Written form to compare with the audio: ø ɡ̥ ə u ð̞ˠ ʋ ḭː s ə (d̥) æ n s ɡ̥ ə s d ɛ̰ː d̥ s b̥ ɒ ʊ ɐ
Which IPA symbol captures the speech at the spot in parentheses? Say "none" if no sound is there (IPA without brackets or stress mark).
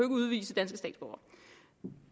d̥